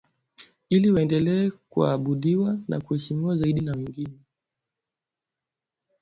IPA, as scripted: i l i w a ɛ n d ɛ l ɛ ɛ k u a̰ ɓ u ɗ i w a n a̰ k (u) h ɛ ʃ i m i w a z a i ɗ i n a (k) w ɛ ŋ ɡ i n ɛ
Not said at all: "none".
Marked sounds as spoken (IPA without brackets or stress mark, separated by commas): u, none